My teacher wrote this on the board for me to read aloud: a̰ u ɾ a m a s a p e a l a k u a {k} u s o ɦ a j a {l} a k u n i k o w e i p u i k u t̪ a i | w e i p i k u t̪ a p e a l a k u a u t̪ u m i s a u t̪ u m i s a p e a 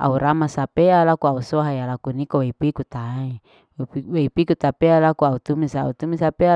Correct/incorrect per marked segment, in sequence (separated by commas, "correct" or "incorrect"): incorrect, correct